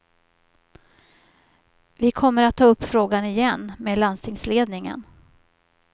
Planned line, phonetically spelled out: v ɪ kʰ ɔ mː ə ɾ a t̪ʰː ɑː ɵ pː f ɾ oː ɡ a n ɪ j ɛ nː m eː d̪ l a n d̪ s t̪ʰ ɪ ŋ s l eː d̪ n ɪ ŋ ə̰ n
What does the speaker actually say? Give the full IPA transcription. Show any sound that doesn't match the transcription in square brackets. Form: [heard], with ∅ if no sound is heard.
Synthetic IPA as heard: v ɪ kʰ ɔ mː ə ɾ a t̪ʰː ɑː ɵ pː f ɾ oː ɡ a n ɪ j ɛ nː m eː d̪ l a n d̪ s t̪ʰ ɪ ŋ s l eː d̪ n ɪ ŋ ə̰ n

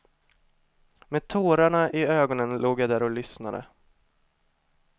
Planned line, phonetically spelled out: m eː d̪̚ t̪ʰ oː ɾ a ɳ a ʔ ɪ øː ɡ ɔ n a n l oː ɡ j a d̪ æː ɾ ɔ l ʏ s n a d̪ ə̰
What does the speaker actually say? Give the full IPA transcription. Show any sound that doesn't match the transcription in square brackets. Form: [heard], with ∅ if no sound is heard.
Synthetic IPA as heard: m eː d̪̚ t̪ʰ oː ɾ a ɳ a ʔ ɪ øː ɡ ɔ n [ə] n l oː ɡ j a d̪ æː ɾ ɔ l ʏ s n a d̪ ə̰

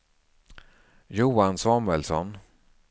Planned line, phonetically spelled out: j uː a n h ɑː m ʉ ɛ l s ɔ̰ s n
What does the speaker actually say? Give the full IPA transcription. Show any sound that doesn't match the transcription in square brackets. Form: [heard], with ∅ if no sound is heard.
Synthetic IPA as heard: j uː a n [s] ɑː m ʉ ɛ l s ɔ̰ [∅] n

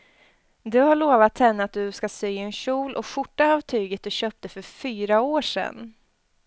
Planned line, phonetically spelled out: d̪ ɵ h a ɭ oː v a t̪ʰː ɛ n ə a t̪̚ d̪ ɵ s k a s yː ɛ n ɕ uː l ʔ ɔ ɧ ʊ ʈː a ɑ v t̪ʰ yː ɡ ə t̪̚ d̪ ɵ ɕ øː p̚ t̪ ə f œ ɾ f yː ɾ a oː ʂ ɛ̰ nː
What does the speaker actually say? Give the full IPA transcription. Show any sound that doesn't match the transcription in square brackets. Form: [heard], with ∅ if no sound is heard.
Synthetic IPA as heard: d̪ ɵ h a ɭ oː v a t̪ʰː ɛ [nː] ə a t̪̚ d̪ ɵ s k a s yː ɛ n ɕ uː l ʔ ɔ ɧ ʊ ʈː a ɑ v t̪ʰ yː ɡ ə t̪̚ d̪ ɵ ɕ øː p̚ t̪ ə f œ ɾ f yː ɾ a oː ʂ ɛ̰ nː

